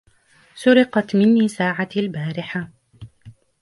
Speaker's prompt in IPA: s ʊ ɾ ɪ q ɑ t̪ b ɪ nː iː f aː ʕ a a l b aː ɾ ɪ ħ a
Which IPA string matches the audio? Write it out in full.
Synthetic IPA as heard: s ʊ ɾ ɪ q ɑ t̪ m ɪ nː iː s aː ʕ a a l b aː ɾ ɪ ħ a